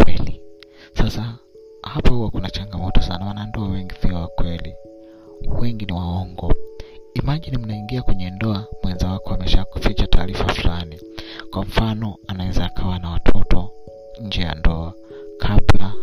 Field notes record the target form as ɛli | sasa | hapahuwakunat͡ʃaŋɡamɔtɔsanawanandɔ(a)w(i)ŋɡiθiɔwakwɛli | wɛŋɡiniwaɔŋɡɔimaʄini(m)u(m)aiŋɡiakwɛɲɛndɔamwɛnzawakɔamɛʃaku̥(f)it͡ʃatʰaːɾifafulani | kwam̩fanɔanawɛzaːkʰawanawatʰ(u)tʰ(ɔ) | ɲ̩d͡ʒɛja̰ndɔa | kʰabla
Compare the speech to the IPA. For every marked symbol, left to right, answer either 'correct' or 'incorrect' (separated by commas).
correct, incorrect, correct, incorrect, correct, incorrect, correct